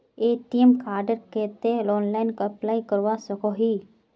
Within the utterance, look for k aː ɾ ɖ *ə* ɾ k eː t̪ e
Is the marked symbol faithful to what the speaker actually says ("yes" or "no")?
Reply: yes